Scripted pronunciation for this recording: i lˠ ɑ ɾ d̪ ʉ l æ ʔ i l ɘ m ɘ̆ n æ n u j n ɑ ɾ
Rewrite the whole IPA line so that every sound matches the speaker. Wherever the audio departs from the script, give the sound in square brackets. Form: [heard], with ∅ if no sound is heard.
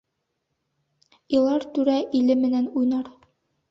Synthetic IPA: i lˠ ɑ ɾ [t̪] ʉ [ɾ] æ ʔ i l ɘ m ɘ̆ n æ n u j n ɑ ɾ